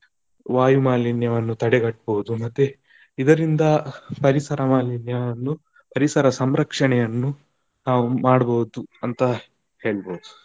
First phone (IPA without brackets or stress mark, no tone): ʋ